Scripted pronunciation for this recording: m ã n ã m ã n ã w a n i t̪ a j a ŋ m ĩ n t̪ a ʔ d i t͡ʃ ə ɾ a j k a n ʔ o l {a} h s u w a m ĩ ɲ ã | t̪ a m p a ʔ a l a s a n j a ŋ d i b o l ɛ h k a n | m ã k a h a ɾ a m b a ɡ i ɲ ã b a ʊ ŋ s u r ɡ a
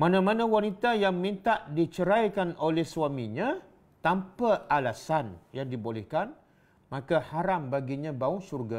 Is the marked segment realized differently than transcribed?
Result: yes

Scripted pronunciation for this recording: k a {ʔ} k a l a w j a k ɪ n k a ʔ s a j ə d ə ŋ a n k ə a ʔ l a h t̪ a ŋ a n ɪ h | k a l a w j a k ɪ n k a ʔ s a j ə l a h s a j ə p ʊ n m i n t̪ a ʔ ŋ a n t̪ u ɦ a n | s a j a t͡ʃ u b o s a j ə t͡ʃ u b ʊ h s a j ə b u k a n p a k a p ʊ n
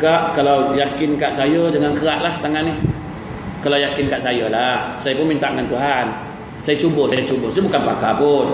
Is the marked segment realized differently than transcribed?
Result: no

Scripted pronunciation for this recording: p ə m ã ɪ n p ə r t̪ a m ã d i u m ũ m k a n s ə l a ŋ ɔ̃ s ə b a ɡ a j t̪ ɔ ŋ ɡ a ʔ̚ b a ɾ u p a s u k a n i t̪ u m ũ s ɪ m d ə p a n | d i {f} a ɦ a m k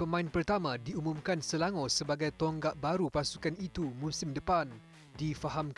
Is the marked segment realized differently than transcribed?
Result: no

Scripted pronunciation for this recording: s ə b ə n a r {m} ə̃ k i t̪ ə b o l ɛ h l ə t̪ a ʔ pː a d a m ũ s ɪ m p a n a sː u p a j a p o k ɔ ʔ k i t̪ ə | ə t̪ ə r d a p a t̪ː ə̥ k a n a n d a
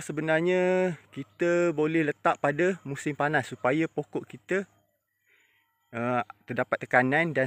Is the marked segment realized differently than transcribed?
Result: yes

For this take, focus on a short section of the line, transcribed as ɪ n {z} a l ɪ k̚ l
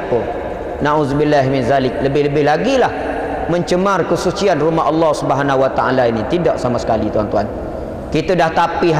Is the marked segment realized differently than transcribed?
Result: no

